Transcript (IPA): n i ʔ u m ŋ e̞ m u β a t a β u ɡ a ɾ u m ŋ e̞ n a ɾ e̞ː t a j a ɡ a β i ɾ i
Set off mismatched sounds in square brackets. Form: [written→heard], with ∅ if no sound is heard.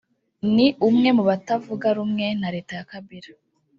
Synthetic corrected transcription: n i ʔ u m ŋ e̞ m u β a t a [β→v] u ɡ a ɾ u m ŋ e̞ n a ɾ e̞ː t a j a [ɡ→k] a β i ɾ [i→a]